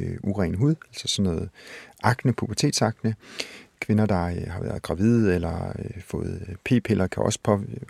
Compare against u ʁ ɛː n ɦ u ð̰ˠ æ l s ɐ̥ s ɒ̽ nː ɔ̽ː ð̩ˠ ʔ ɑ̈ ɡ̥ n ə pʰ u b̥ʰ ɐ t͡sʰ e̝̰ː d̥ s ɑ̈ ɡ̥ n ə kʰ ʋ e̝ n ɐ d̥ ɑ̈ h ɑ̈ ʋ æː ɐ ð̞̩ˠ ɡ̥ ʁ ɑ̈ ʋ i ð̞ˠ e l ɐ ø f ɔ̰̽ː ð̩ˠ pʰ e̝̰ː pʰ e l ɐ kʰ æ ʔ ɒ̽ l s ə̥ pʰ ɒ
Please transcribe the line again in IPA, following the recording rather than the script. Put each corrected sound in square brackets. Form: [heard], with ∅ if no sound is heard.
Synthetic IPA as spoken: u ʁ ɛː n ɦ u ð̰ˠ æ l s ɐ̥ s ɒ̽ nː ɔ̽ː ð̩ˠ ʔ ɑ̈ ɡ̥ n ə pʰ u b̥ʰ ɐ t͡sʰ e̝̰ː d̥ s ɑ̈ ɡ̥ n ə kʰ ʋ e̝ n ɐ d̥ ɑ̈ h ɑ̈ ʋ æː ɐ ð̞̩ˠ ɡ̥ ʁ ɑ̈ ʋ i ð̞ˠ e l ɐ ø f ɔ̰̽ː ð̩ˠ pʰ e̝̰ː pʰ e l ɐ kʰ æ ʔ ɒ̽ [∅] s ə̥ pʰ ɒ